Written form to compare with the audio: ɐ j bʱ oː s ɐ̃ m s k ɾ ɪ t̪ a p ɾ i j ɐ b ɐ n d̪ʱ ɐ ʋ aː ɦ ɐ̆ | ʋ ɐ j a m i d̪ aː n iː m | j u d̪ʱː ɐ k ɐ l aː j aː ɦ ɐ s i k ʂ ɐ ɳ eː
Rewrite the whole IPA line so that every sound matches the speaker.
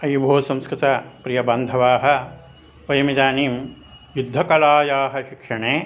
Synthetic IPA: ɐ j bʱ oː s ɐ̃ m s k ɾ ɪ t̪ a p ɾ i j ɐ b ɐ n d̪ʱ ɐ ʋ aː ɦ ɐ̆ | ʋ ɐ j ɐ m i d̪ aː n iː m | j u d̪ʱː ɐ k ɐ l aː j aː ɦ ɐ ʃ i k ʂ ɐ ɳ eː